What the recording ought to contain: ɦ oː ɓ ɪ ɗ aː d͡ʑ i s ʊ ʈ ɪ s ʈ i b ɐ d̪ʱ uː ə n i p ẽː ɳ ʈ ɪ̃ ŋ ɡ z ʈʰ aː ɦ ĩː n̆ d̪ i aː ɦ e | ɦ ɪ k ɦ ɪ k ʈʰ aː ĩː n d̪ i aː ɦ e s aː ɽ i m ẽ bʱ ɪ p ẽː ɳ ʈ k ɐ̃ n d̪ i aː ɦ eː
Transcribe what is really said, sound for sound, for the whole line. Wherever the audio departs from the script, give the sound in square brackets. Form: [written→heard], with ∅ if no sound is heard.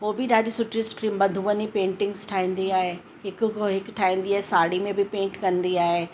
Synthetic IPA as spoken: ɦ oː [ɓ→b] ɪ ɗ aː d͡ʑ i s ʊ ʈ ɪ s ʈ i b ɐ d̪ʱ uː ə n i p ẽː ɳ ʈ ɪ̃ ŋ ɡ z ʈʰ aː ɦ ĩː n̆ d̪ i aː ɦ e | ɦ ɪ k ɦ ɪ k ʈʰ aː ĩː n d̪ i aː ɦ e s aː ɽ i m ẽ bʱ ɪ p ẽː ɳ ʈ k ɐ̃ n d̪ i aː ɦ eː